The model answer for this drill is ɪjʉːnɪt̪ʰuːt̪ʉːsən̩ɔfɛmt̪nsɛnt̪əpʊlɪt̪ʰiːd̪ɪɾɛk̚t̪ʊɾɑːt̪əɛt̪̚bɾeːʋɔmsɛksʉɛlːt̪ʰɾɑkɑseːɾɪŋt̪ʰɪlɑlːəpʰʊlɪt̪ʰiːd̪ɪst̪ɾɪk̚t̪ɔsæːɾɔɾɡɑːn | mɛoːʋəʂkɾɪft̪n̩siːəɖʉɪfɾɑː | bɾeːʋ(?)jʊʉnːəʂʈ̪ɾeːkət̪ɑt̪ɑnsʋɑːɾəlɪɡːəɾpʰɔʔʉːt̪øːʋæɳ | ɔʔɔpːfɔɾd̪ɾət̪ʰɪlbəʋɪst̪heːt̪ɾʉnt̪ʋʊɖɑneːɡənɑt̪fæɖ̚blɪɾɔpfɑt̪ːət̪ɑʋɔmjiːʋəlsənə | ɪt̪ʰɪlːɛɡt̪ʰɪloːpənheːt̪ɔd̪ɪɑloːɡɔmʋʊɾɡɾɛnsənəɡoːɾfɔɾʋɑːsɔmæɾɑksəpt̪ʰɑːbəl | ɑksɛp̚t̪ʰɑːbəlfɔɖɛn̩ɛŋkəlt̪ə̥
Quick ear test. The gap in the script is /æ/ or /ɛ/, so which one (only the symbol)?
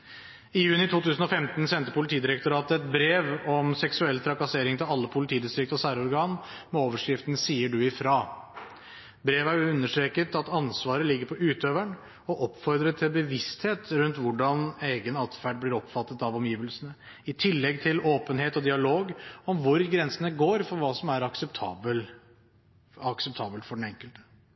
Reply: æ